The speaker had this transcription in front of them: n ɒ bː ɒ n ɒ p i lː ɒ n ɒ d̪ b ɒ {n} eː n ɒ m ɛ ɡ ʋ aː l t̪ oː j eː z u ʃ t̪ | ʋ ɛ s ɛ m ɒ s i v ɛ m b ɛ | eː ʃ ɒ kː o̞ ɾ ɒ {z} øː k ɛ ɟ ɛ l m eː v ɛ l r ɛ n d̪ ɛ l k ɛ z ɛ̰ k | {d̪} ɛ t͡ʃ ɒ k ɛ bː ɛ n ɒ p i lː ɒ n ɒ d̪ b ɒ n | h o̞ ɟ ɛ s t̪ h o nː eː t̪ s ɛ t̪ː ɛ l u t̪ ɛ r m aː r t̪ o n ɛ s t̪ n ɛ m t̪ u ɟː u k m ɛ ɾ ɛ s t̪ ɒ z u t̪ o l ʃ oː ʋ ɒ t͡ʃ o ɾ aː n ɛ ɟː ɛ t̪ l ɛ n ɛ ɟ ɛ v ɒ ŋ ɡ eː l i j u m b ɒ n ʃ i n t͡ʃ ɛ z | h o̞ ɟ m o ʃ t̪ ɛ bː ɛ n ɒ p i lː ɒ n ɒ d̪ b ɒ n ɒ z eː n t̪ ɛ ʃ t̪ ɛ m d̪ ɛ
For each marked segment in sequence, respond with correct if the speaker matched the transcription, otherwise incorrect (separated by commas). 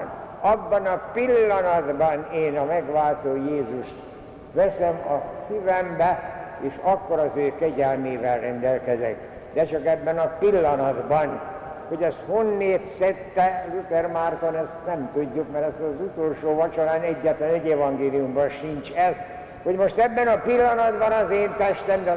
correct, correct, correct